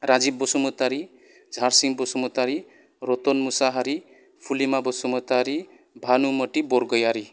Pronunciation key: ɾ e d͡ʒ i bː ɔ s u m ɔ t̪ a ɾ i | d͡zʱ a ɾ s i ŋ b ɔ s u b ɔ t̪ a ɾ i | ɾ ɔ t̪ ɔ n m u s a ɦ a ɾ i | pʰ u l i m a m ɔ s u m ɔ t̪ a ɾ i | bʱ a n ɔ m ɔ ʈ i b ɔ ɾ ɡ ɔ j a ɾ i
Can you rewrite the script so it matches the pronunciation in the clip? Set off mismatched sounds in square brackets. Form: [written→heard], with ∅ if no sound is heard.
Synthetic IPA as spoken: ɾ [e→a] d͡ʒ i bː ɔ s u m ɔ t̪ a ɾ i | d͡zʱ a ɾ s i ŋ b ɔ s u [b→m] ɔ t̪ a ɾ i | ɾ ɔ t̪ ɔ n m u s a ɦ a ɾ i | pʰ u l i m a [m→b] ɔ s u m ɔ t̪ a ɾ i | bʱ a n [ɔ→u] m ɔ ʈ i b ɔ ɾ ɡ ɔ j a ɾ i